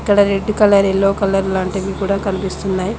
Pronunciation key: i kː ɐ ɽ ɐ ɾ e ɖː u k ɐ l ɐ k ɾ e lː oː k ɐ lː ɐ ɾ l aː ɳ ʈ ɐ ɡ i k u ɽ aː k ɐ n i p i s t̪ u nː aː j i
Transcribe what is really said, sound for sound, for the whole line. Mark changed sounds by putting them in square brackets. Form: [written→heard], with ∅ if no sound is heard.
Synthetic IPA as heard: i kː ɐ ɽ ɐ ɾ e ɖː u k ɐ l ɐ [k→∅] ɾ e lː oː k ɐ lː ɐ ɾ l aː ɳ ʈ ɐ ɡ i k [u→uː] ɽ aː k ɐ n i p i s t̪ u nː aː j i